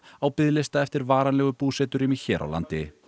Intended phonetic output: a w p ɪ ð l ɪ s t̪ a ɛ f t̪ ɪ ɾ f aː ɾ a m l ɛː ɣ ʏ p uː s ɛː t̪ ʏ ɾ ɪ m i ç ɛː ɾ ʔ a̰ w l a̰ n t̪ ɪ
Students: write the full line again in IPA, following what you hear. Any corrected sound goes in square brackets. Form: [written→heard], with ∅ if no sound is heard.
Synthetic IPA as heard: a w p ɪ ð l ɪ s t̪ a ɛ f t̪ ɪ ɾ [f→v] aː ɾ a [m→n] l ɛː ɣ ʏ p uː s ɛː t̪ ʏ ɾ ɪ m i ç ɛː ɾ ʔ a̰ w l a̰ n t̪ ɪ